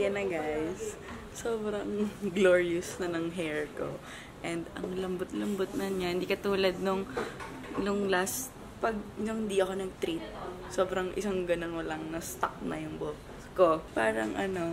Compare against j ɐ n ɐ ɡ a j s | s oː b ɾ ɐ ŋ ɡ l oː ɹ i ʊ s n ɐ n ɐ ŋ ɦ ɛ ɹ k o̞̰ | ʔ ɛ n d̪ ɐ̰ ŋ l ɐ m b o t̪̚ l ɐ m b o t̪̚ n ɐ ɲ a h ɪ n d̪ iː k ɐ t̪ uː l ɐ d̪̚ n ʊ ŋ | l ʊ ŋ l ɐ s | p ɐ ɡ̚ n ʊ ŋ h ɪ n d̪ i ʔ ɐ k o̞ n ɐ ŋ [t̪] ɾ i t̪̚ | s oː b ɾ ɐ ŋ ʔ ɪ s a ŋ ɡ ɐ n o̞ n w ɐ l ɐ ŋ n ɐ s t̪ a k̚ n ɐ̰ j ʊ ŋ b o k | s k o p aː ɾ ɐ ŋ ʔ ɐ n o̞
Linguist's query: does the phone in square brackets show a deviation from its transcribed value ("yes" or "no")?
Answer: no